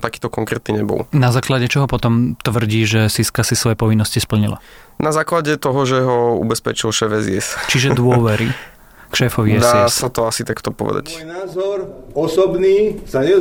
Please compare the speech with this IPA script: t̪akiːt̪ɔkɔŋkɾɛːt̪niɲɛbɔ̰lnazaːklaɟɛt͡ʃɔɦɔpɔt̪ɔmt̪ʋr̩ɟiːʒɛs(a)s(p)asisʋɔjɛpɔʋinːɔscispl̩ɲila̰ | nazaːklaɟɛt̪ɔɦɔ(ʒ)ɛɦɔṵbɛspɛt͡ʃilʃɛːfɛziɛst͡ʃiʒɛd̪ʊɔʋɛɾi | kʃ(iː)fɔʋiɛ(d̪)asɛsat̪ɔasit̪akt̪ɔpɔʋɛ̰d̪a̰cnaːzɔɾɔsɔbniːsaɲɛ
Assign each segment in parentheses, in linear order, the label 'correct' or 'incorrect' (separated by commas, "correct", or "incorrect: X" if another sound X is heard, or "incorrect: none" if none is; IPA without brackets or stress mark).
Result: incorrect: i, incorrect: k, correct, incorrect: ɛː, correct